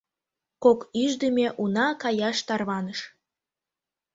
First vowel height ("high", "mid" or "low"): mid